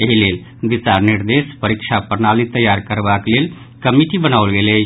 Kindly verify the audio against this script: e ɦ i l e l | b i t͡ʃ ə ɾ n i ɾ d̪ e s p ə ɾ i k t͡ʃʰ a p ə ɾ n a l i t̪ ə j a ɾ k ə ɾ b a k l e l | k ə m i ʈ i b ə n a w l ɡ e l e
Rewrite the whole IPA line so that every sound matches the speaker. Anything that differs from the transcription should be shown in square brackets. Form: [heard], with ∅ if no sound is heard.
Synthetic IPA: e ɦ i l e l | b i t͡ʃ [a] ɾ n i ɾ d̪ e s p ə ɾ i k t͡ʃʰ a p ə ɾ n a l i t̪ ə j a ɾ k ə ɾ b a k l e l | k ə m i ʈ i b ə n a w l ɡ e l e